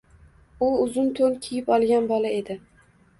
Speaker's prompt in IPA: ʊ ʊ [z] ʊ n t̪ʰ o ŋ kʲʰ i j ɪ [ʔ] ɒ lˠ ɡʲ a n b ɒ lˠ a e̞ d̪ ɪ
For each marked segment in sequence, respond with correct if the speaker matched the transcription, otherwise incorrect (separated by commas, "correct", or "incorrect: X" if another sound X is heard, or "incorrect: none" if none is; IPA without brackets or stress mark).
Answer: correct, incorrect: p